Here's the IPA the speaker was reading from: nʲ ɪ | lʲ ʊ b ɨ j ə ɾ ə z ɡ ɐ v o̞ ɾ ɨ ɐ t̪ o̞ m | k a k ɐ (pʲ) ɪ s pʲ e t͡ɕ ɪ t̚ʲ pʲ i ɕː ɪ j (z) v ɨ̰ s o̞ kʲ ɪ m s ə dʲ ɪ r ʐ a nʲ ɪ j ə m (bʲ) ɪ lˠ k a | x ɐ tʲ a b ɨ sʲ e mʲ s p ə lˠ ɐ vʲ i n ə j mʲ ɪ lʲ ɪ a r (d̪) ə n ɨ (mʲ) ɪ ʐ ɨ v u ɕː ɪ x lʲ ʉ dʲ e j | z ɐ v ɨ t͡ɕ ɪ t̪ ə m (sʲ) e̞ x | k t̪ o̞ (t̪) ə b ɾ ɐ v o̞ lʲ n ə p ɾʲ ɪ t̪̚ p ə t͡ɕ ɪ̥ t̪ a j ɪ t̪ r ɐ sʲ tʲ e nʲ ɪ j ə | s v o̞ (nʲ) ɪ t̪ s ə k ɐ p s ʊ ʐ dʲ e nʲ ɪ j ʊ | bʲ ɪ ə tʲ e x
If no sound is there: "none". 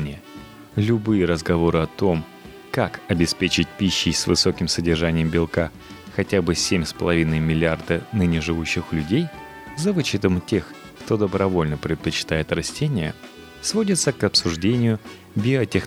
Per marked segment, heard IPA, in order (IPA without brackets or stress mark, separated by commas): bʲ, s, bʲ, d̪, nʲ, tʲ, d̪, dʲ